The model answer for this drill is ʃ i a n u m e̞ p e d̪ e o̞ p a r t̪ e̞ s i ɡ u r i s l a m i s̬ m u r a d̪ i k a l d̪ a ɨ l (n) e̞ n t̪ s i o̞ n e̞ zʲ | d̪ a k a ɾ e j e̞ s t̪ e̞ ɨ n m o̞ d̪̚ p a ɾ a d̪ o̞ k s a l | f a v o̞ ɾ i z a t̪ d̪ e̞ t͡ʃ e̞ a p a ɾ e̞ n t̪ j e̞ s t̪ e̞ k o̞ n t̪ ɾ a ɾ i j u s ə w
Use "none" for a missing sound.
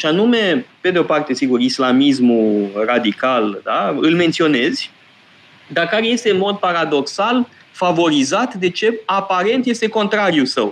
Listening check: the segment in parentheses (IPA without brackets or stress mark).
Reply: m